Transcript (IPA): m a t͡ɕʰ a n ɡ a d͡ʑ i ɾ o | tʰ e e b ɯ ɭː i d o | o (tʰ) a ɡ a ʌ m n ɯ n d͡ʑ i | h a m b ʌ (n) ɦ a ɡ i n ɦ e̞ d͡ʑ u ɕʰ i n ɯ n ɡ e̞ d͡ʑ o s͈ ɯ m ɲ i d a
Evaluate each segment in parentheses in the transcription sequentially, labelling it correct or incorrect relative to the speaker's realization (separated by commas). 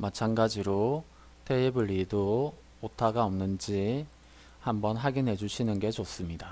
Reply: correct, correct